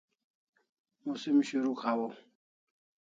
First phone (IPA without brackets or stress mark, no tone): m